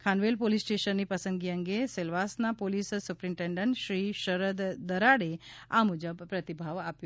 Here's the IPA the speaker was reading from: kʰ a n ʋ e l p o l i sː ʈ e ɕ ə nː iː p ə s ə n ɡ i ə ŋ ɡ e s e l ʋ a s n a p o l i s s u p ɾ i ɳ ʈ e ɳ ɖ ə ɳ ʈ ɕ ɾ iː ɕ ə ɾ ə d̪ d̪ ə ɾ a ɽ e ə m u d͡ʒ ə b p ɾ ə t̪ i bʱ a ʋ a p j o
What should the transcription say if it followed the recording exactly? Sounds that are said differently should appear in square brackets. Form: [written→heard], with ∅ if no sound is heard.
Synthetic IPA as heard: kʰ a n ʋ e l p o l i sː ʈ e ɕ ə nː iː p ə s ə n ɡ i ə ŋ ɡ e s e l ʋ a s n a p o l i s s u p ɾ i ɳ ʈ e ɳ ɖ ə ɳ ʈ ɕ ɾ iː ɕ ə ɾ ə d̪ d̪ ə ɾ a ɽ e [ə→a] m u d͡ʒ ə b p ɾ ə t̪ i bʱ a ʋ a p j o

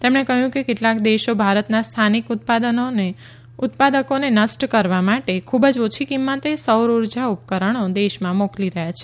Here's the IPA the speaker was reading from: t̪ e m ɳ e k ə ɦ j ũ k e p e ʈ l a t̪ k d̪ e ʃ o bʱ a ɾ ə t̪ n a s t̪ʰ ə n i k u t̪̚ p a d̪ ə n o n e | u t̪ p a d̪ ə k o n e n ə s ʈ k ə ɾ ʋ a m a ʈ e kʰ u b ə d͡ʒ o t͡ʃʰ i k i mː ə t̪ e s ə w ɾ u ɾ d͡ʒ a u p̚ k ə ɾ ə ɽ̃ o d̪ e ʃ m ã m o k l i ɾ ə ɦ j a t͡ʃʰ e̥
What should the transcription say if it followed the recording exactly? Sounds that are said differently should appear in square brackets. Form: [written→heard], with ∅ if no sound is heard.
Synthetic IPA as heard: t̪ e m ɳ e k ə ɦ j ũ k e [p→k] e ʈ l a [t̪→∅] k d̪ e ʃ o bʱ a ɾ ə t̪ n a s t̪ʰ [ə→a] n i k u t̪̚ p a d̪ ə n o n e | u t̪ p a d̪ ə k o n e n ə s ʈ k ə ɾ ʋ a m a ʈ e kʰ u b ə d͡ʒ o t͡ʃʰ i k i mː ə t̪ e s ə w ɾ u ɾ d͡ʒ a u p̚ k ə ɾ ə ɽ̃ o d̪ e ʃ m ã m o k l i ɾ ə ɦ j a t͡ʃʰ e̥

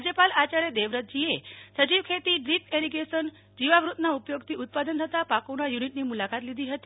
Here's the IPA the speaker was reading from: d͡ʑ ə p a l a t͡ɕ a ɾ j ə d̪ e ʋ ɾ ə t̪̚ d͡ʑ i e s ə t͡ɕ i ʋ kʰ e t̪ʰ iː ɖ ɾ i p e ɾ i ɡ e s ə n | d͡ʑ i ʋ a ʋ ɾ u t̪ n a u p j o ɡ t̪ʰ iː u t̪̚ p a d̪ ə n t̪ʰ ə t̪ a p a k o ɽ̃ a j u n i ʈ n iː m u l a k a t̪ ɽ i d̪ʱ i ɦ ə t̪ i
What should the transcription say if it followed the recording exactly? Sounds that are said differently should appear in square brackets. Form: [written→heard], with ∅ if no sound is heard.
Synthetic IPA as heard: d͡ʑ ə p a l a t͡ɕ a ɾ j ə d̪ e ʋ ɾ ə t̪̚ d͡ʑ i e s ə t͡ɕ i ʋ kʰ e [t̪ʰ→t̪] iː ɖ ɾ i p e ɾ i ɡ e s ə n | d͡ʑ i ʋ a ʋ ɾ u t̪ n a u p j o ɡ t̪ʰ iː u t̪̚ p a d̪ ə n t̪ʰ ə t̪ a p a k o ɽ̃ a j u n i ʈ n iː m u l a k a t̪ [ɽ→l] i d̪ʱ i ɦ ə t̪ i

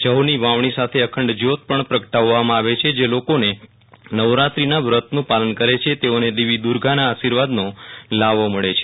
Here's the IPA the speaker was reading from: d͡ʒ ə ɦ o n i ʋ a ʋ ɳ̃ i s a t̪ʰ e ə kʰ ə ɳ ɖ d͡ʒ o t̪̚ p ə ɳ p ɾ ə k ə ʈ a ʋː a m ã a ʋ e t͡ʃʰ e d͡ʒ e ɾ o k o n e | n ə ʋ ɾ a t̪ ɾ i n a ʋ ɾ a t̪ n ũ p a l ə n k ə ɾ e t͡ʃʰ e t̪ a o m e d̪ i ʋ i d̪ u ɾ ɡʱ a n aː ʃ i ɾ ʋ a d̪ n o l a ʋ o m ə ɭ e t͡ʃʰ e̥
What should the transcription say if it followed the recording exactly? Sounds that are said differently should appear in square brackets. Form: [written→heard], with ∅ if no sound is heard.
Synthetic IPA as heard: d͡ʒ ə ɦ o n i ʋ a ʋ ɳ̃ i s a t̪ʰ e ə kʰ ə ɳ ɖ d͡ʒ o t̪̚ p ə ɳ p ɾ ə k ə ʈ a ʋː a m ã a ʋ e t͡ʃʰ e d͡ʒ e [ɾ→l] o k o n e | n ə ʋ ɾ a t̪ ɾ i n a ʋ ɾ [a→ə] t̪ n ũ p a l ə n k ə ɾ e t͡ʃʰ e t̪ [a→e] o [m→n] e d̪ i ʋ i d̪ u ɾ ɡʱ a n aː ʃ i ɾ ʋ a d̪ n o l a ʋ o m ə ɭ e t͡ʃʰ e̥

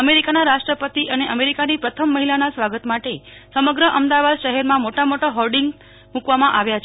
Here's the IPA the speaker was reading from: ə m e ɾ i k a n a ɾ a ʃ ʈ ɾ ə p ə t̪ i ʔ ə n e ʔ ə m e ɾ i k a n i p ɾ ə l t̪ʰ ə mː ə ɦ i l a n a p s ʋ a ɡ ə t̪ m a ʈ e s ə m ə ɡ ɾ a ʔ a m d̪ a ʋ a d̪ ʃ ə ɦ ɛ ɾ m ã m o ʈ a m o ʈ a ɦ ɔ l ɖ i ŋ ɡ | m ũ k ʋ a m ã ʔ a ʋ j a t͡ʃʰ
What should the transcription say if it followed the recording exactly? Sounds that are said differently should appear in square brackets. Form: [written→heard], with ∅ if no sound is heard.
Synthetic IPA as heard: ə m e ɾ i k a n a ɾ a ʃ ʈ ɾ ə p ə t̪ i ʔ ə n e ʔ ə m e ɾ i k a n i p ɾ ə [l→∅] t̪ʰ ə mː ə ɦ i l a n a [p→∅] s ʋ a ɡ ə t̪ m a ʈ e s ə m ə ɡ ɾ [a→ə] ʔ [a→ə] m d̪ a ʋ a d̪ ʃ ə ɦ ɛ ɾ m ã m o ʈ a m o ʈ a ɦ ɔ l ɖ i ŋ ɡ | m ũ k ʋ a m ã ʔ a ʋ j a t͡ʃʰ

